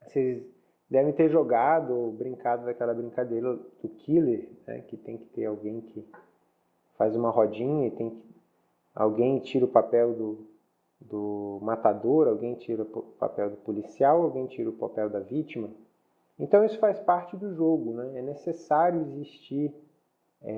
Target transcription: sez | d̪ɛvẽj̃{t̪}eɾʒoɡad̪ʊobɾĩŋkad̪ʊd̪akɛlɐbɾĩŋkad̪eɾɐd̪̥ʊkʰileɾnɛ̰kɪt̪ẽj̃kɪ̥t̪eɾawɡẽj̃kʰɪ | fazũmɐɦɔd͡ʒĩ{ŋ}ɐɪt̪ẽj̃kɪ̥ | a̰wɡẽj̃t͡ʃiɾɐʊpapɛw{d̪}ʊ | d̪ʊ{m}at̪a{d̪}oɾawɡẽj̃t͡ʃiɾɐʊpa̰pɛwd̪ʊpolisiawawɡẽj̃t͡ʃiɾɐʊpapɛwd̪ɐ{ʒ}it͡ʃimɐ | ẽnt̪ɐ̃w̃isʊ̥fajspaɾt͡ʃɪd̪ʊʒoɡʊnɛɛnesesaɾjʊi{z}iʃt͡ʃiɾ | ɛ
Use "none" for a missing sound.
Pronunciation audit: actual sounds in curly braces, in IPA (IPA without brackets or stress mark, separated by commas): t̪, ɲ, d̪, m, d̪, v, z